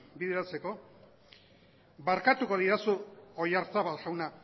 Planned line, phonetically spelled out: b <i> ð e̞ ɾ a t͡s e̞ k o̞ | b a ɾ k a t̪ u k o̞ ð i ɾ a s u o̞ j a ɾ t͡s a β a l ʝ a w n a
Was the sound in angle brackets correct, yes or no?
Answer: yes